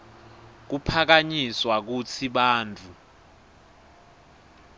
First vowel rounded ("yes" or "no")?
yes